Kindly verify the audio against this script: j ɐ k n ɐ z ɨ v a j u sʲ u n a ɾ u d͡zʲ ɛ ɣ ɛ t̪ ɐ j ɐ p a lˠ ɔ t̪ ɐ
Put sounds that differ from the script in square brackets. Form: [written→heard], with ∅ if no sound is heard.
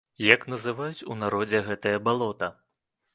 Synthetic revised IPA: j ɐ k n ɐ z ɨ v a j u [sʲ→t͡sʲ] u n a ɾ [u→ɔ] d͡zʲ ɛ ɣ ɛ t̪ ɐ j ɐ [p→b] a lˠ ɔ t̪ ɐ